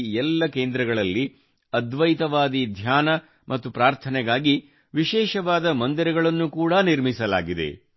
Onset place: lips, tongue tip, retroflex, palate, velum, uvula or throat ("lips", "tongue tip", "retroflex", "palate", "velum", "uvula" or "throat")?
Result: tongue tip